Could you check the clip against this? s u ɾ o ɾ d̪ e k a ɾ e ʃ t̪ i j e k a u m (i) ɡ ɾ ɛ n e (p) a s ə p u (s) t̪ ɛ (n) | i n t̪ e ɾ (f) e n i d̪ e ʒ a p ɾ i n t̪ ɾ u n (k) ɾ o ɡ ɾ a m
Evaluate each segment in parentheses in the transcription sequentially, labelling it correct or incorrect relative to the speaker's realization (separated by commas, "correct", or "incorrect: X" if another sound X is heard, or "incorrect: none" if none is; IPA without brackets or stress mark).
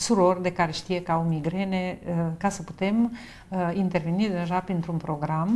correct, incorrect: k, incorrect: none, incorrect: m, incorrect: v, incorrect: p